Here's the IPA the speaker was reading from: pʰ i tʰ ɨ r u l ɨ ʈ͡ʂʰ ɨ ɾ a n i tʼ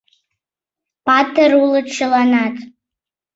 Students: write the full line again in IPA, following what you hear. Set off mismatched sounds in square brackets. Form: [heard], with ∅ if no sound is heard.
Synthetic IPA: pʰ [a] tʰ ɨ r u l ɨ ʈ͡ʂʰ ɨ [l] a n [a] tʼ